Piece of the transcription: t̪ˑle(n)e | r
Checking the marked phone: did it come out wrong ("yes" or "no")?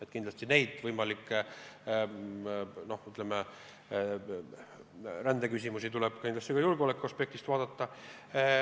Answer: yes